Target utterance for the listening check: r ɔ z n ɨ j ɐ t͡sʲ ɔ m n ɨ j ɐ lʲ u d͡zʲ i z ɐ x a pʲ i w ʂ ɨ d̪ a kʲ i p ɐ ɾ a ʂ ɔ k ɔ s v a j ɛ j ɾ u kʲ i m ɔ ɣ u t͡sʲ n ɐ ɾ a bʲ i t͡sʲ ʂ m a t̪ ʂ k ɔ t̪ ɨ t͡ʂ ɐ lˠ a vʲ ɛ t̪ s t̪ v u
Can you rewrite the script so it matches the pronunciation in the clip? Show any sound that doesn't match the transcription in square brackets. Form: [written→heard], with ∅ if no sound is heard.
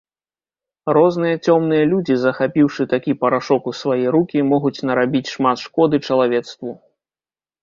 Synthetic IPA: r ɔ z n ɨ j ɐ t͡sʲ ɔ m n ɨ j ɐ lʲ u d͡zʲ i z ɐ x a pʲ i w ʂ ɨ [d̪→t̪] a kʲ i p ɐ ɾ a ʂ ɔ k [ɔ→u] s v a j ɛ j ɾ u kʲ i m ɔ ɣ u t͡sʲ n ɐ ɾ a bʲ i t͡sʲ ʂ m a t̪ ʂ k ɔ [t̪→d̪] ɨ t͡ʂ ɐ lˠ a vʲ ɛ t̪ s t̪ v u